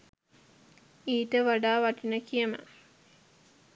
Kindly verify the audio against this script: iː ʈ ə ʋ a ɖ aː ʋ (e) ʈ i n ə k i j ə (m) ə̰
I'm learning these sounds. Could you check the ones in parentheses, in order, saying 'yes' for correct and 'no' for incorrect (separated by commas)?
no, yes